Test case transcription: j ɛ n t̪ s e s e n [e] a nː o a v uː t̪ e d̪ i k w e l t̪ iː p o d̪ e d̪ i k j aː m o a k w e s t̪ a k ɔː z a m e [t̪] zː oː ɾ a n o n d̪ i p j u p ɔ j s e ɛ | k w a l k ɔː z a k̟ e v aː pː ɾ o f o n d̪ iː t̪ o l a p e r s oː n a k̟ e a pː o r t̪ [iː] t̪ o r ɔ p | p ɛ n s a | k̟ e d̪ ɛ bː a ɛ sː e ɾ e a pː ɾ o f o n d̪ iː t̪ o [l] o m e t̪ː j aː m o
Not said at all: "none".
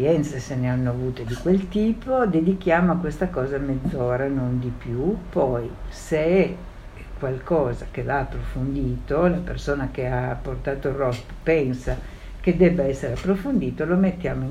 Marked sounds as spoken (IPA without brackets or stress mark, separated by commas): e, d̪, aː, l